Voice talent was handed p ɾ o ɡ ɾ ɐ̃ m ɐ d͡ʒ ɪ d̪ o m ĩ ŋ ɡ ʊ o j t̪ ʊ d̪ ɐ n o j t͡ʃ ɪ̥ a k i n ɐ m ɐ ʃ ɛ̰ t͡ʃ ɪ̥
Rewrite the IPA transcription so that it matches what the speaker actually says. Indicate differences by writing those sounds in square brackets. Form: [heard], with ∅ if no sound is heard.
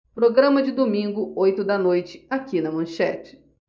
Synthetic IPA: p ɾ o ɡ ɾ ɐ̃ m ɐ d͡ʒ ɪ d̪ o m ĩ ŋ ɡ ʊ o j t̪ ʊ d̪ ɐ n o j t͡ʃ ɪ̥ a k i n ɐ m [ɐ̃] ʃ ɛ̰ t͡ʃ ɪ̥